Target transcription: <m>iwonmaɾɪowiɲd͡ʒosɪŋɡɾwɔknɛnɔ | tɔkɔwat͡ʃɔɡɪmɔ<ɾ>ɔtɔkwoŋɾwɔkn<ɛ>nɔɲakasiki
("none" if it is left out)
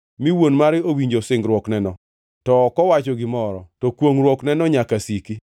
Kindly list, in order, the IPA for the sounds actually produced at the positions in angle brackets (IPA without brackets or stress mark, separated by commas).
m, ɾ, ɛ